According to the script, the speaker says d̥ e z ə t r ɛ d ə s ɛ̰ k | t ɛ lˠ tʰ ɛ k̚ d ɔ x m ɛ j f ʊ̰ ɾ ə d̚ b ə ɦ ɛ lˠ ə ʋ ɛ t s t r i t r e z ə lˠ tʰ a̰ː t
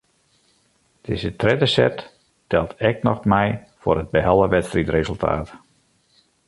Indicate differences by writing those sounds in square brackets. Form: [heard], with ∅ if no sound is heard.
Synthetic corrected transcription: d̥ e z ə t r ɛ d ə s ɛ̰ [t] | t ɛ lˠ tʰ ɛ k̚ [n] ɔ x m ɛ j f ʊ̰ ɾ ə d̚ b ə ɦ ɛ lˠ ə ʋ ɛ t s t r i t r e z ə lˠ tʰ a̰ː t

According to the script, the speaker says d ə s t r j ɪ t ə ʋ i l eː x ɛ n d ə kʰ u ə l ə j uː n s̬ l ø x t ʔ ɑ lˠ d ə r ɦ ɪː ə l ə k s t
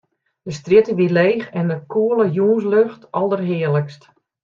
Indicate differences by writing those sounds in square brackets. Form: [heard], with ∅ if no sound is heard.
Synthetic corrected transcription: d ə s t r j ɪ t ə ʋ i l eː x ɛ n d ə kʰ u ə l ə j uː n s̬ l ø x t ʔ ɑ lˠ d ə r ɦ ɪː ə l ə k s t

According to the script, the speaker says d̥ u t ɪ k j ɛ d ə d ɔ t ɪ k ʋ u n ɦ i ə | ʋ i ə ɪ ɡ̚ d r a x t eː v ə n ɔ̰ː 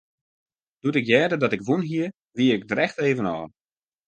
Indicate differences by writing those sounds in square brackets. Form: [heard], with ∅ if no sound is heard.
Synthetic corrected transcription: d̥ u t ɪ k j [ɛː] d ə d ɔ t ɪ k ʋ u n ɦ i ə | ʋ i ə ɪ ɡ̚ d r [ɛ] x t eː v ə n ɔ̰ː

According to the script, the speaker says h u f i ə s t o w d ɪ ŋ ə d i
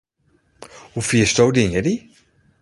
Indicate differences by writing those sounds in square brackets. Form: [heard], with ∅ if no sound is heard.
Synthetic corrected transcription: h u f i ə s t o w d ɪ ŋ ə d i

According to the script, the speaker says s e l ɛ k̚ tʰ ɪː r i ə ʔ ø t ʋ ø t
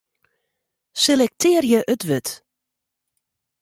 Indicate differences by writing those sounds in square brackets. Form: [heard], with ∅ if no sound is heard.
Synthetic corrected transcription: s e l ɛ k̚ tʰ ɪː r [j] ə ʔ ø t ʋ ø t

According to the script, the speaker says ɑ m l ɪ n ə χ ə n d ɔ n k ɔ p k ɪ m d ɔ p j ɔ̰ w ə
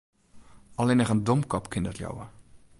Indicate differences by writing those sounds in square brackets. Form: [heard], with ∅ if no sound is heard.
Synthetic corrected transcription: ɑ [∅] l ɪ n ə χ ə n d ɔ [m] k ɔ p k ɪ [n] d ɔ [t] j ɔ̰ w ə

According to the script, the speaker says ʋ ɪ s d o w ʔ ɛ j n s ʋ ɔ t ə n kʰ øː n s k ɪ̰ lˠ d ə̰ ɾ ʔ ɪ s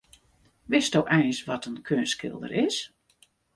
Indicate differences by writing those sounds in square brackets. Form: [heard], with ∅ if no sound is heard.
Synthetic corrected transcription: ʋ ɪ s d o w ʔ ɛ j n s ʋ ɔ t ə n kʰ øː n s k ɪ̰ lˠ d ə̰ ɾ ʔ ɪ s

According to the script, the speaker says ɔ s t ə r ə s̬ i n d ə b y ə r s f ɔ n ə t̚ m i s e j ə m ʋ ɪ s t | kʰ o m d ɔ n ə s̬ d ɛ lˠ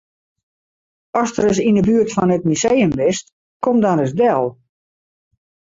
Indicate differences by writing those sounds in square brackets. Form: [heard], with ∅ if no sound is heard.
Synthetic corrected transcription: ɔ s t ə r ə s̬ i n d ə b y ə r [t] f ɔ n ə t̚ m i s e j ə m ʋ ɪ s t | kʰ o m d ɔ n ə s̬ d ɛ lˠ

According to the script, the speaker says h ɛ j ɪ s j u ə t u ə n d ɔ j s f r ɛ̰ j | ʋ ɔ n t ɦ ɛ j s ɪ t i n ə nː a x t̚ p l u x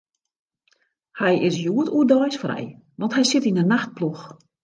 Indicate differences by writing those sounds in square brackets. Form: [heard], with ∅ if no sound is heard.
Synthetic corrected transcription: h ɛ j ɪ s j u ə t u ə [∅] d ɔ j s f r ɛ̰ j | ʋ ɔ n t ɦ ɛ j s ɪ t i n ə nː a x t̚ p l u x

